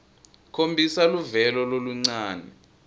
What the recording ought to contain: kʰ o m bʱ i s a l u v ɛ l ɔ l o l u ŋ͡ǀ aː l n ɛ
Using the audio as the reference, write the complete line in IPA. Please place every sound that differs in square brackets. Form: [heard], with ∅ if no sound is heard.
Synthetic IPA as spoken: kʰ o m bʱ i s a l u v ɛ l ɔ l o l u ŋ͡ǀ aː [∅] n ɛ

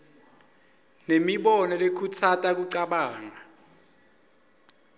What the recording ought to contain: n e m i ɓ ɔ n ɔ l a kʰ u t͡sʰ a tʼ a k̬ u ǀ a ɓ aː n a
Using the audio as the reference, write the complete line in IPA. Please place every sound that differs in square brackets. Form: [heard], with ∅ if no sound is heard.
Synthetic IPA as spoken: n e m i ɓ ɔ n ɔ l [e] kʰ u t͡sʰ a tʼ a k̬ u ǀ a ɓ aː [ŋ] a

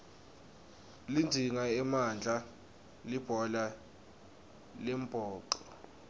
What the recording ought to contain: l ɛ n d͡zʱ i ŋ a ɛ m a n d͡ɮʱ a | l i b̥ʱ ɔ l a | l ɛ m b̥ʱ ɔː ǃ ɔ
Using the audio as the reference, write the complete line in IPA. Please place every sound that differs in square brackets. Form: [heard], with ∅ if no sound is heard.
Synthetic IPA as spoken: l [i] n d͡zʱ i ŋ a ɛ m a n d͡ɮʱ a | l i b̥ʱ ɔ l a | l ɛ m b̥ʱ ɔː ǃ ɔ

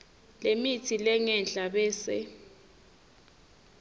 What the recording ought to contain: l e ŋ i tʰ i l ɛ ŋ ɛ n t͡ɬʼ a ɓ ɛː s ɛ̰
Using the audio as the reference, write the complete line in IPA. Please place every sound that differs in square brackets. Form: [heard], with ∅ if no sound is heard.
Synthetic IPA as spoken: l e [m] i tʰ i l ɛ ŋ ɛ n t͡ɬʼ a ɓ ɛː s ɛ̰

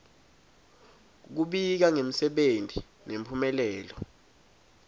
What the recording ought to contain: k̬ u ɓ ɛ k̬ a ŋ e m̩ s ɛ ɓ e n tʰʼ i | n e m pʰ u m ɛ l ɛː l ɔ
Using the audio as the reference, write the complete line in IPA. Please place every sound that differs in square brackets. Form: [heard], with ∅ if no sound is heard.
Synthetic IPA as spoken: k̬ u ɓ [i] k̬ a ŋ e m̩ s ɛ ɓ e n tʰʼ i | n e m pʰ u m ɛ l ɛː l ɔ

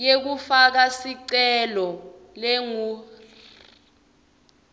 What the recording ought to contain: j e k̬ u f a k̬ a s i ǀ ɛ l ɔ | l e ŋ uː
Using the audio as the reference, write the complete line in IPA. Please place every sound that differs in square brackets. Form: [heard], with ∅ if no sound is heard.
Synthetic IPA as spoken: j e k̬ u f a k̬ a s i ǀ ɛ l ɔ | l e ŋ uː

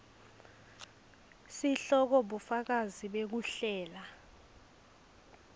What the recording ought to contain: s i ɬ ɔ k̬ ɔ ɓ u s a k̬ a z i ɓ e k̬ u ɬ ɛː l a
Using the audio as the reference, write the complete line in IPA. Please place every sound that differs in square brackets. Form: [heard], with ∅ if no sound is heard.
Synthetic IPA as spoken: s i ɬ ɔ k̬ ɔ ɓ u [f] a k̬ a z i ɓ e k̬ u ɬ ɛː l a

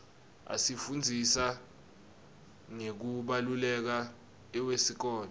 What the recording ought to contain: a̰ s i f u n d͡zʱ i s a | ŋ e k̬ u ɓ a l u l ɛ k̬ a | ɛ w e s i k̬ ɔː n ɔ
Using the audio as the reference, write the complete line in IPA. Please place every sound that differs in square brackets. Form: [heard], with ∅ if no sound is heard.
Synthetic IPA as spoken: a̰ s i f u n d͡zʱ i s a | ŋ e k̬ u ɓ a l u l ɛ k̬ a | ɛ w e s i k̬ ɔː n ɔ

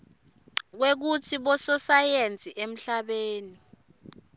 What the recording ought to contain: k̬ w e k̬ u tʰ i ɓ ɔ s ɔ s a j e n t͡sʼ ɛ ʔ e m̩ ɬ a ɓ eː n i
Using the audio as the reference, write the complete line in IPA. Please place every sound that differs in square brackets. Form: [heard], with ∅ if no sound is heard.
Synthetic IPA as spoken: k̬ w e k̬ u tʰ i ɓ ɔ s ɔ s a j e n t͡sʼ [i] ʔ e m̩ ɬ a ɓ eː n i

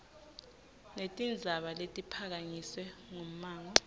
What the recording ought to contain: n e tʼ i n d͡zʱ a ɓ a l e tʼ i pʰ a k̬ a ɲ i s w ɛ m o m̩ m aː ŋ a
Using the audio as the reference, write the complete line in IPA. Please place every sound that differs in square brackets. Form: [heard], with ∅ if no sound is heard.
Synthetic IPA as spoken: n e tʼ i n d͡zʱ a ɓ a l e tʼ i pʰ a k̬ a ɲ i s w ɛ [ŋ] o m̩ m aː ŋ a

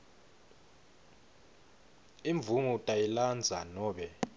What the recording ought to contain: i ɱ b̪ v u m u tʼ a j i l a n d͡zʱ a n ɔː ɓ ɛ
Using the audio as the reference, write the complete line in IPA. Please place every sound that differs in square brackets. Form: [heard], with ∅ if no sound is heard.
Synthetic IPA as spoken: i ɱ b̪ v u m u tʼ a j i l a n d͡zʱ a n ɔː ɓ ɛ

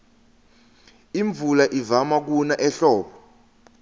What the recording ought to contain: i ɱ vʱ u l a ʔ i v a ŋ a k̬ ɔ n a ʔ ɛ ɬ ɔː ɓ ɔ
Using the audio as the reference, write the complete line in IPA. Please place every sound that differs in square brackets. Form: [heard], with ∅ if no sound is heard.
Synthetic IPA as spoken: i ɱ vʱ u l a ʔ i v a [m] a k̬ [u] n a ʔ ɛ ɬ ɔː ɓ ɔ

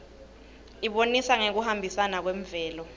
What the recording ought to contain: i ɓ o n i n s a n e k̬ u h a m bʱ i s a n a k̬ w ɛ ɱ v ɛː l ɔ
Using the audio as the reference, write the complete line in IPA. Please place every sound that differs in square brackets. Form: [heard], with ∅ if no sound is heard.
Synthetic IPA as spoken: i ɓ o n i [∅] s a [ŋ] e k̬ u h a m bʱ i s a n a k̬ w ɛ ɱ v ɛː l ɔ

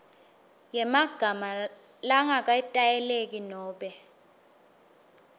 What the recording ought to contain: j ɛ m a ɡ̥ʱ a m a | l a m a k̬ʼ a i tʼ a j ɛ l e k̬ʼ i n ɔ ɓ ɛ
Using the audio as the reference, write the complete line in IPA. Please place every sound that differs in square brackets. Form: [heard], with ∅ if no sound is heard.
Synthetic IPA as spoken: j ɛ m a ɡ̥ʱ a m a | l a [ŋ] a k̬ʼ a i tʼ a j ɛ l e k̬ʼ i n [ɔː] ɓ ɛ

